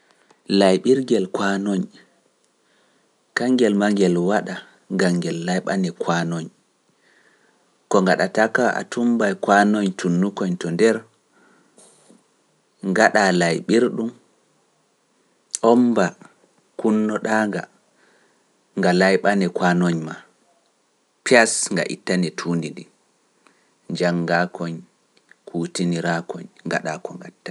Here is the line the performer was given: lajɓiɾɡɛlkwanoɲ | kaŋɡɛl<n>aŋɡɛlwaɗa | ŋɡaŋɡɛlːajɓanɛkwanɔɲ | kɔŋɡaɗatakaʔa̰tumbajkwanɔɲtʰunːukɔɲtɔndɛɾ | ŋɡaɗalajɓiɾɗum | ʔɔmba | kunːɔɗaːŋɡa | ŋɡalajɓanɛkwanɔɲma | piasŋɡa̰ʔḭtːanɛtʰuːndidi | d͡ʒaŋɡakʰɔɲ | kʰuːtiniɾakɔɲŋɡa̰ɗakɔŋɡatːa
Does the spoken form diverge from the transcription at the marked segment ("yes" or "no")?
yes